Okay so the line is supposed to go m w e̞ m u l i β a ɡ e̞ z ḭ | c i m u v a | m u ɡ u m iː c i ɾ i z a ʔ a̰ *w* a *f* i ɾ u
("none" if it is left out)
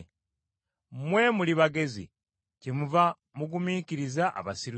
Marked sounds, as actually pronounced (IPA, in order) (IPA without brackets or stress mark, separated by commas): β, s